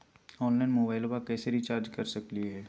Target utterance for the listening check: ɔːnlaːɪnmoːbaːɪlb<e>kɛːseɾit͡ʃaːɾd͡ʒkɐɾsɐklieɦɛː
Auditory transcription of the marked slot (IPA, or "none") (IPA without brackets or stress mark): a